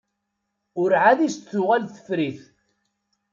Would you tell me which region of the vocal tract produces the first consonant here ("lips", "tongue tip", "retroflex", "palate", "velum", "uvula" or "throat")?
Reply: tongue tip